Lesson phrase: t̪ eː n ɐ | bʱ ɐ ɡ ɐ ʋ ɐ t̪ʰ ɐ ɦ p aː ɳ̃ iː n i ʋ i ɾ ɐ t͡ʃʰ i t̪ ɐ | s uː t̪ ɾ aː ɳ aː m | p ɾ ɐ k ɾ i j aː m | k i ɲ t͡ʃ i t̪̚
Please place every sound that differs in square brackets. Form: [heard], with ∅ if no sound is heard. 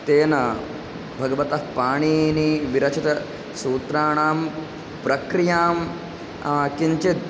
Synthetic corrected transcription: t̪ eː n ɐ | bʱ ɐ ɡ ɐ ʋ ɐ [t̪] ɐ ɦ p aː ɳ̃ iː n i ʋ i ɾ ɐ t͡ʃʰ i t̪ ɐ | s uː t̪ ɾ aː ɳ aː m | p ɾ ɐ k ɾ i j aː m | k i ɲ t͡ʃ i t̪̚